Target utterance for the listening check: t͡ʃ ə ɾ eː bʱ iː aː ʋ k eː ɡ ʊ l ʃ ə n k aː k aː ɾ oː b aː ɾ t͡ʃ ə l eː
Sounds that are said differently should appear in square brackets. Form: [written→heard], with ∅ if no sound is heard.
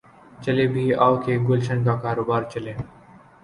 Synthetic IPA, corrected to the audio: t͡ʃ ə [ɾ→l] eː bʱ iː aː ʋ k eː ɡ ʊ l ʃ ə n k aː k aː ɾ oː b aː ɾ t͡ʃ ə l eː